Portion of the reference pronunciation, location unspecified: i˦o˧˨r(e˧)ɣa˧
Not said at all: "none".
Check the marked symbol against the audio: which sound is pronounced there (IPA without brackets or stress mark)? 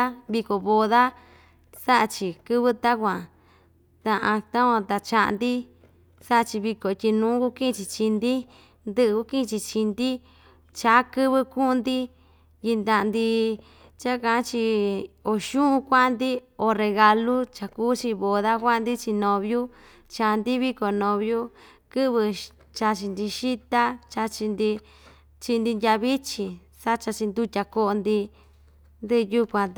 e˧